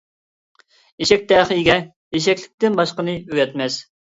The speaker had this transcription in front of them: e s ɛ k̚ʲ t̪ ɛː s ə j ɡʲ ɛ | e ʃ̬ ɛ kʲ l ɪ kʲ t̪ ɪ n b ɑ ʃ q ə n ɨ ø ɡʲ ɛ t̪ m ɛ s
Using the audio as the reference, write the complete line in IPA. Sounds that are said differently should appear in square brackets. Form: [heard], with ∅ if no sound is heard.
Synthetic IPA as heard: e [ʃ] ɛ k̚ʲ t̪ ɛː [χ] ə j ɡʲ ɛ | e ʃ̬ ɛ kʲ l ɪ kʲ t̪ ɪ n b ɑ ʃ q ə n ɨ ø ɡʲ ɛ t̪ m ɛ s

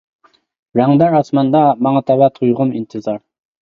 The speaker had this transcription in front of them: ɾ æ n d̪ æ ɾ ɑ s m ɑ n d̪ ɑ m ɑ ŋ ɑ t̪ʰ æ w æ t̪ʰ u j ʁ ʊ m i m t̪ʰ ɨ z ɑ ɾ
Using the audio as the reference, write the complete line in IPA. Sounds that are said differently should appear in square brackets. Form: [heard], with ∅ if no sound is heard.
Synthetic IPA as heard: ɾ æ [ŋ] d̪ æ ɾ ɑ s m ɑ n d̪ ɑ m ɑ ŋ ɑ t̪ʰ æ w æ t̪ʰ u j ʁ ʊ m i [n] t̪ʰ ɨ z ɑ ɾ

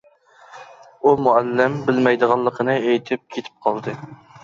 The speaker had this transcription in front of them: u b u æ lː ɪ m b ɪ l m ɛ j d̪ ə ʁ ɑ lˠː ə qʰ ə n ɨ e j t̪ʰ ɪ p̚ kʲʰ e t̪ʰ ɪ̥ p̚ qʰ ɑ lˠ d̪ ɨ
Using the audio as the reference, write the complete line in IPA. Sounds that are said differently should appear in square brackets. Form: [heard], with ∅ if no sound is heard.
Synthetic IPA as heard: u [m] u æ lː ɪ m b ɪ l m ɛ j d̪ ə ʁ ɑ lˠː ə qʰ ə n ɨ e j t̪ʰ ɪ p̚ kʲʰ e t̪ʰ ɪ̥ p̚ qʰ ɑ lˠ d̪ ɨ

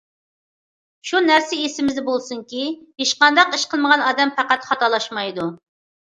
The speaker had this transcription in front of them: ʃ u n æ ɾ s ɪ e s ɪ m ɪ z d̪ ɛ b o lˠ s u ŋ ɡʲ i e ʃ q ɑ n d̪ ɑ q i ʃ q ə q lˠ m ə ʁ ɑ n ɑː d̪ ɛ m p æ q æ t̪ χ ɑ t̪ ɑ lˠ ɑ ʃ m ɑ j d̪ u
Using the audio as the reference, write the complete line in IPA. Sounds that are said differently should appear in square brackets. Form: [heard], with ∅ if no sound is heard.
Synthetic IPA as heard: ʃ u n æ ɾ s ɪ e s ɪ m ɪ z d̪ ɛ b o lˠ s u ŋ [kʲ] i e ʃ q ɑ n d̪ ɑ q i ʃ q ə [∅] lˠ m ə ʁ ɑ n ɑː d̪ ɛ m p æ q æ t̪ χ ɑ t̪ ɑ lˠ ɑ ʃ m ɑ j d̪ u

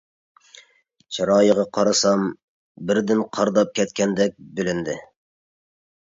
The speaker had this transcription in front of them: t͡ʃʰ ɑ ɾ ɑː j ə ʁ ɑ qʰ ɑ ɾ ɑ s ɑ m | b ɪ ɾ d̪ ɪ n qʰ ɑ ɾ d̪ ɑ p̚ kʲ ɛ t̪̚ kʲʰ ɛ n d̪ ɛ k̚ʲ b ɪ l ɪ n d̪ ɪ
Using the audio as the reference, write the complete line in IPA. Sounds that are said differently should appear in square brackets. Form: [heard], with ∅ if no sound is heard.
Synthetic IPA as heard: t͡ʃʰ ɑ ɾ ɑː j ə ʁ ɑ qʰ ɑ ɾ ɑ s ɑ m | b ɪ ɾ d̪ ɪ n qʰ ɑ ɾ d̪ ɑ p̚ kʲ ɛ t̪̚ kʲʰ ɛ n d̪ ɛ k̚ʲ b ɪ l ɪ n d̪ ɪ

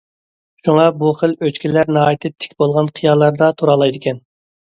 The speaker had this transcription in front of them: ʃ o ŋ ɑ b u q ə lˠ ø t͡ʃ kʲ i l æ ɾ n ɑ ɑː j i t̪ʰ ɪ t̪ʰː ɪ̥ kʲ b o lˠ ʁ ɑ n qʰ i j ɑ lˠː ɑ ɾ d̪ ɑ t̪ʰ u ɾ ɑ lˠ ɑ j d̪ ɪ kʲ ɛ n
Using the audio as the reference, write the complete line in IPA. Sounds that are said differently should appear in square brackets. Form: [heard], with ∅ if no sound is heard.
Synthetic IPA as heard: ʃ [u] ŋ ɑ b u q ə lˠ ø t͡ʃ kʲ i l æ ɾ n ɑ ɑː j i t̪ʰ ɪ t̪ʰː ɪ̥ kʲ b o lˠ ʁ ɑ n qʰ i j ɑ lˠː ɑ ɾ d̪ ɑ t̪ʰ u ɾ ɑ lˠ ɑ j d̪ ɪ kʲ ɛ n

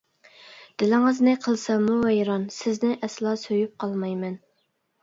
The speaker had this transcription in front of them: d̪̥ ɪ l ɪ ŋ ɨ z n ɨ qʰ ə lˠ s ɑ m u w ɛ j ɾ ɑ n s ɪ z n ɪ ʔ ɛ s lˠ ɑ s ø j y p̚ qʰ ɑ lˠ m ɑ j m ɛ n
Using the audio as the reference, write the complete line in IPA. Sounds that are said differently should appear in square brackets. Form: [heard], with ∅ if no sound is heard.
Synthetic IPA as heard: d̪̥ ɪ l ɪ ŋ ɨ z n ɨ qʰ ə lˠ s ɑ m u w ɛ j ɾ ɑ n s ɪ z n ɪ ʔ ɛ s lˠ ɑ s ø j y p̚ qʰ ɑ lˠ m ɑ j m ɛ n

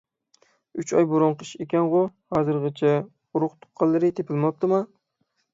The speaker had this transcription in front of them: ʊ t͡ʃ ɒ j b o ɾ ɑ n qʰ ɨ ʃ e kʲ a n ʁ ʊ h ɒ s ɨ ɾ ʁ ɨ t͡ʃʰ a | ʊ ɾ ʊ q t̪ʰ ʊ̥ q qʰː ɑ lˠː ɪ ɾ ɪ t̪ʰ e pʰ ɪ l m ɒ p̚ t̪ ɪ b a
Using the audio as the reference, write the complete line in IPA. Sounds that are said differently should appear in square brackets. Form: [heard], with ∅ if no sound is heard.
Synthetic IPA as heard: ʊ t͡ʃ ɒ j b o ɾ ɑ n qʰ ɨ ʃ e kʲ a n ʁ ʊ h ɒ [z] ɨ ɾ ʁ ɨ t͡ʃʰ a | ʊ ɾ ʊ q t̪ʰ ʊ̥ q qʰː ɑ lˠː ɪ ɾ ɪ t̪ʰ e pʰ ɪ l m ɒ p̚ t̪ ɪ [m] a

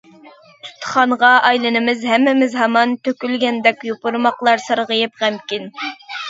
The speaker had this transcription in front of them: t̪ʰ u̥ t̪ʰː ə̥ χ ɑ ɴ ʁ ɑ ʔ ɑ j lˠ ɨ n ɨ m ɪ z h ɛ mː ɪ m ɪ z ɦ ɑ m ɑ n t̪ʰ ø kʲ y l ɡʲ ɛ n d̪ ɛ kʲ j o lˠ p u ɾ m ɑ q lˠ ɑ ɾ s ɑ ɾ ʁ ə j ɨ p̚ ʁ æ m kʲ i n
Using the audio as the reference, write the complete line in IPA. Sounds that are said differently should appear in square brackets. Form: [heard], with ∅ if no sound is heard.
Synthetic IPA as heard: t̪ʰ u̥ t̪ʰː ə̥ χ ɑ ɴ ʁ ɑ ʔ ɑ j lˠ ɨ n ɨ m ɪ z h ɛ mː ɪ m ɪ z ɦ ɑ m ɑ n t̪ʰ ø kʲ y l ɡʲ ɛ n d̪ ɛ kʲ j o [∅] p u ɾ m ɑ q lˠ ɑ ɾ s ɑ ɾ ʁ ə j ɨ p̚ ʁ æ m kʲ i n

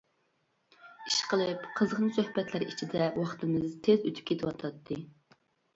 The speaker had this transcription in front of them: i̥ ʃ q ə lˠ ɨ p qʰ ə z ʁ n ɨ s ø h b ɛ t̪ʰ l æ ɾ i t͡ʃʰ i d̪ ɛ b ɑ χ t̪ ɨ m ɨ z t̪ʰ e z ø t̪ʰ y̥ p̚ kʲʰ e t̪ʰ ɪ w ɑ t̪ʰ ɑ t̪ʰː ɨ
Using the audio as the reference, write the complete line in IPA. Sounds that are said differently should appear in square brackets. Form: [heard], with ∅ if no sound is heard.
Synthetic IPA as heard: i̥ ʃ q ə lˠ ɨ p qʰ ə z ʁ n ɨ s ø h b ɛ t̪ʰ l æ ɾ i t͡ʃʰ i d̪ ɛ [w] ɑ χ t̪ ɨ m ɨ z t̪ʰ e z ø t̪ʰ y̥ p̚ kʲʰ e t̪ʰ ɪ w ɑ t̪ʰ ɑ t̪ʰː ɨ

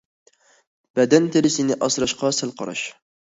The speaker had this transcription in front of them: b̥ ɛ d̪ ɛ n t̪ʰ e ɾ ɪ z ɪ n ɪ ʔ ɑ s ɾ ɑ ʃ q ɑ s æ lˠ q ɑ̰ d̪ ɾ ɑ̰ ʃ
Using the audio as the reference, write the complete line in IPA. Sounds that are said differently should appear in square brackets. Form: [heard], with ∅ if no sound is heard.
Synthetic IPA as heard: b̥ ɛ d̪ ɛ n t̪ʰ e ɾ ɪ [s] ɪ n ɪ ʔ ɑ s ɾ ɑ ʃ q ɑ s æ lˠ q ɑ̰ [∅] ɾ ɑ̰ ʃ

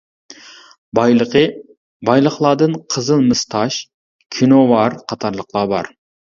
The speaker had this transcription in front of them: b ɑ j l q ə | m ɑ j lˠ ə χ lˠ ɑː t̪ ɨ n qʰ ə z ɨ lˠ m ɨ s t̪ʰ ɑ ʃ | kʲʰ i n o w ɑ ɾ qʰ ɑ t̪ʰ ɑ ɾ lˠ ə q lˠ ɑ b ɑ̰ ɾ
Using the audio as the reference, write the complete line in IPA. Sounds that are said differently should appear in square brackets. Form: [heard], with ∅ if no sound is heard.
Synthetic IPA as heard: b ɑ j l q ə | [b] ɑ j lˠ ə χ lˠ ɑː [d̪] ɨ n qʰ ə z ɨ lˠ m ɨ s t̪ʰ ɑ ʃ | kʲʰ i n o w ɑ ɾ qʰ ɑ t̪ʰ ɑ ɾ lˠ ə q lˠ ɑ b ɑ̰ ɾ

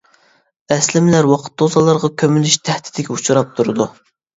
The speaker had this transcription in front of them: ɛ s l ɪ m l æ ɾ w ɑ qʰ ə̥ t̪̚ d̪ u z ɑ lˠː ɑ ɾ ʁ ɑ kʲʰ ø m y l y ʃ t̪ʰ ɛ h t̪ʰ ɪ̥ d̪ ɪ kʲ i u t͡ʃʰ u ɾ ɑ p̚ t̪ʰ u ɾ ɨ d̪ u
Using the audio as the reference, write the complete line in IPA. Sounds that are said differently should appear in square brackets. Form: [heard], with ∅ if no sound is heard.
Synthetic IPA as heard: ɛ s l ɪ m l æ ɾ w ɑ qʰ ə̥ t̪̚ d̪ [o] z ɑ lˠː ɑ ɾ ʁ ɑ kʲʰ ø m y l y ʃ t̪ʰ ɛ h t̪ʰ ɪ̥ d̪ ɪ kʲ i u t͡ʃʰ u ɾ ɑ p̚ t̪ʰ u ɾ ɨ d̪ u

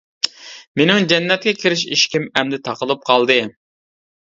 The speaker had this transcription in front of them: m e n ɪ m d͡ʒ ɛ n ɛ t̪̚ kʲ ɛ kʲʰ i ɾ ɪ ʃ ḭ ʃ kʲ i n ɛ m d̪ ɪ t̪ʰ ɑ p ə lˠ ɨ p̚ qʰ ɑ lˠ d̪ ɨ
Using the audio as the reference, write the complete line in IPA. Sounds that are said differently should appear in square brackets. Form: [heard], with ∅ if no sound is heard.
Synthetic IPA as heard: m e n ɪ [ŋ] d͡ʒ ɛ [nː] ɛ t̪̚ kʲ ɛ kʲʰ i ɾ ɪ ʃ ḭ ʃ kʲ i [m] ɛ m d̪ ɪ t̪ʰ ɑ [q] ə lˠ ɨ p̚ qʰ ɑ lˠ d̪ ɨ

